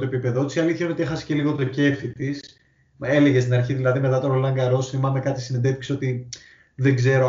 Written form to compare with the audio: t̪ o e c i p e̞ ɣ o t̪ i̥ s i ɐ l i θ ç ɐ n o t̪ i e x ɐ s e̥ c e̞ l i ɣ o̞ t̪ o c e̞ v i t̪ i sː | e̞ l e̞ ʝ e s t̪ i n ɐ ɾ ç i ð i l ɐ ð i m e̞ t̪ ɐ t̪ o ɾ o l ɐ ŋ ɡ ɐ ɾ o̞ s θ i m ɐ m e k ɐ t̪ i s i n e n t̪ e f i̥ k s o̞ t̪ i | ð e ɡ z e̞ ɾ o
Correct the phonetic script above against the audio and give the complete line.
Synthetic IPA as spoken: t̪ o e p i p e̞ ð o t̪ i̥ s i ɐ l i θ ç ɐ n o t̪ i e x ɐ s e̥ c e̞ l i ɣ o̞ t̪ o c e̞ f i t̪ i s | e̞ l e̞ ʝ e s t̪ i n ɐ ɾ ç i ð i l ɐ ð i m e̞ t̪ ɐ t̪ o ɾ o l ɐ ŋ ɡ ɐ ɾ o̞ s θ i m ɐ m e k ɐ t̪ i s i n e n d̪ e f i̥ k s o̞ t̪ i | ð e ɡ z e̞ ɾ o